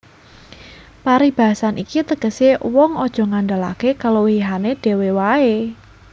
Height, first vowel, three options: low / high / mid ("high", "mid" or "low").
low